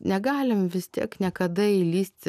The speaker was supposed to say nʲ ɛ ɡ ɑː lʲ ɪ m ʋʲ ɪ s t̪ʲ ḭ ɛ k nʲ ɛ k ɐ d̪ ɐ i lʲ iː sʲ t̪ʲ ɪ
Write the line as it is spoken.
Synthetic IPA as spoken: nʲ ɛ ɡ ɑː lʲ ɪ m ʋʲ ɪ s t̪ʲ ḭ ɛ k nʲ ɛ k ɐ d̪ ɐ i lʲ iː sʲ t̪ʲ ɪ